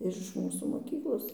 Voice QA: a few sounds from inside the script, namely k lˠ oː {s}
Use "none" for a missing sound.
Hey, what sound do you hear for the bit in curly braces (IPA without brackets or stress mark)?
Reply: s